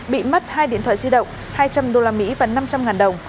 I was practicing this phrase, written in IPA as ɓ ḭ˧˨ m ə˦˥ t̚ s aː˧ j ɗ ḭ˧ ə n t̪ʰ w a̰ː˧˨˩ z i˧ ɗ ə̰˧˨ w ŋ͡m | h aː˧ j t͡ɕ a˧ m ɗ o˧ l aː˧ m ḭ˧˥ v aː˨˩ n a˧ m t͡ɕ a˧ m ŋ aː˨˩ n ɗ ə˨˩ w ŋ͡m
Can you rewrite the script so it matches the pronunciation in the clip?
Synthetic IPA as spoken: ɓ ḭ˧˨ m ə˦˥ t̚ h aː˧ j ɗ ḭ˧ ə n t̪ʰ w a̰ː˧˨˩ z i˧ ɗ ə̰˧˨ w ŋ͡m | h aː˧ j t͡ɕ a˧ m ɗ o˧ l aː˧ m ḭ˧˥ v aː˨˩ n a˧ m t͡ɕ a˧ m ŋ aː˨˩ n ɗ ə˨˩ w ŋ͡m